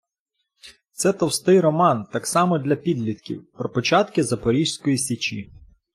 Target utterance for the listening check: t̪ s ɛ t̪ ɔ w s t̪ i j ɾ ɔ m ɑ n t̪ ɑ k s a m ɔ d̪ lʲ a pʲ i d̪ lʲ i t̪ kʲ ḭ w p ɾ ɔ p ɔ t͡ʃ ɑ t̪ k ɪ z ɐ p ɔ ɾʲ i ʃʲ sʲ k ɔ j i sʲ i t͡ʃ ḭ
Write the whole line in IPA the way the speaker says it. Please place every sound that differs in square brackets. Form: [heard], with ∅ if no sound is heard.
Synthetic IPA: t̪ s ɛ t̪ ɔ w s t̪ [ɪ] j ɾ ɔ m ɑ n t̪ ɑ k s [ɑ] m ɔ d̪ lʲ [ɐ] pʲ i d̪ lʲ i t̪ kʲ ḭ w p ɾ ɔ p ɔ t͡ʃ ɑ t̪ k ɪ z ɐ p ɔ ɾʲ i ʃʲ sʲ k ɔ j i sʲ i t͡ʃ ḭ